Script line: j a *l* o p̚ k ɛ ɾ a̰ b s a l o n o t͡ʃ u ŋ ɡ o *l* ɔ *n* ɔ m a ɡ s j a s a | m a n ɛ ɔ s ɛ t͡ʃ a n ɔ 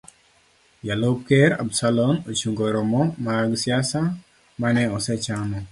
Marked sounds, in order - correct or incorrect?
correct, incorrect: ɾ, incorrect: m

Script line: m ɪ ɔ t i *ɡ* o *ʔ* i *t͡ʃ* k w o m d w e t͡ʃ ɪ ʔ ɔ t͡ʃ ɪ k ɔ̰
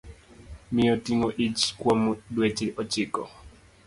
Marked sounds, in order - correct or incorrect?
incorrect: ŋ, correct, correct

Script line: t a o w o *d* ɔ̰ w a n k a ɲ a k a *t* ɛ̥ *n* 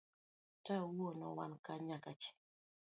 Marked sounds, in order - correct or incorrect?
incorrect: n, incorrect: t͡ʃ, incorrect: none

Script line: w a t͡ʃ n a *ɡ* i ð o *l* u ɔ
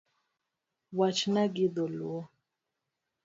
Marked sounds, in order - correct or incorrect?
correct, correct

